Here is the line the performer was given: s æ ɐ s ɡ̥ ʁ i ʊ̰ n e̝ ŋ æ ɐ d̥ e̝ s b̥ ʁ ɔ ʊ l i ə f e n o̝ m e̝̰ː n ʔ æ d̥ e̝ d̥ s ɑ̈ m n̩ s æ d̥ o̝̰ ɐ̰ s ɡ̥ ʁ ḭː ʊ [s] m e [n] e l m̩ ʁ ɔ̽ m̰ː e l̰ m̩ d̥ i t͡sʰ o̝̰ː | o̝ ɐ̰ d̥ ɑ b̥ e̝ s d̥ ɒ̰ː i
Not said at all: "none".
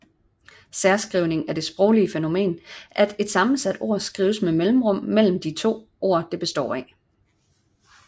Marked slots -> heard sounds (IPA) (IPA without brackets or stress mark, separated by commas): s, m